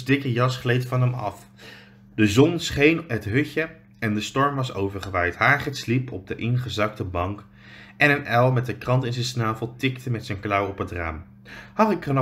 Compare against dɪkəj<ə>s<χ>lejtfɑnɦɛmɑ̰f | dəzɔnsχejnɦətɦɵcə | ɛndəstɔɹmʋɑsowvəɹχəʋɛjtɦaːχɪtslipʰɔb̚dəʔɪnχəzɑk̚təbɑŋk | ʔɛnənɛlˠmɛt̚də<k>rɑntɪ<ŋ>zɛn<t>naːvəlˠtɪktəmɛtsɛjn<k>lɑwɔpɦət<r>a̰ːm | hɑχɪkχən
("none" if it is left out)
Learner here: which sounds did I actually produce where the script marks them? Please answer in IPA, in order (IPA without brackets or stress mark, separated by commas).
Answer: ɑ, χ, k, n, s, k, r